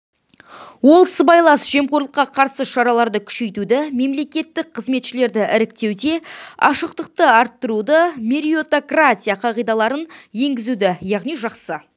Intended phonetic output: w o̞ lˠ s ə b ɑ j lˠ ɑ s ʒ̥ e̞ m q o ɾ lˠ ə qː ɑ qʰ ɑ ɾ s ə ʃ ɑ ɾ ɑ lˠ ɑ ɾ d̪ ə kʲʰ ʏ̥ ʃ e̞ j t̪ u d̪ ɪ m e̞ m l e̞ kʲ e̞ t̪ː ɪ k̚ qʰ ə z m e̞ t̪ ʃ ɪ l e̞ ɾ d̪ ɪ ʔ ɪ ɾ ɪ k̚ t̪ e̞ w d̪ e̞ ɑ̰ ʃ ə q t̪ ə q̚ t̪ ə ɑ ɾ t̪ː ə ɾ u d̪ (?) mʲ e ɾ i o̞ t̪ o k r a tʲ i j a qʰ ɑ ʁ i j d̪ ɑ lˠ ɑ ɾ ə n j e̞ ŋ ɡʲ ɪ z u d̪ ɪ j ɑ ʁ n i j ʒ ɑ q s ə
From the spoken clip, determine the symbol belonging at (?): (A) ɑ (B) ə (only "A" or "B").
B